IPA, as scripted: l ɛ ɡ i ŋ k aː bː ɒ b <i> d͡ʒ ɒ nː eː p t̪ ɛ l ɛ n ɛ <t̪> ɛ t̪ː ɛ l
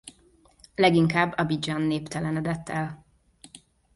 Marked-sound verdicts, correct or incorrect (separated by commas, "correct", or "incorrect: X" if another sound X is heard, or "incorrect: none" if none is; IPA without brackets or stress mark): correct, incorrect: d̪